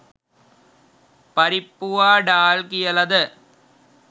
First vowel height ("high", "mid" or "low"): low